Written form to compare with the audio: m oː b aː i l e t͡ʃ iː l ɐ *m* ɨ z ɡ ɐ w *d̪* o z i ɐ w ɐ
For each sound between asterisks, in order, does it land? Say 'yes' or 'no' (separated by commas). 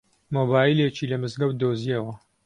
yes, yes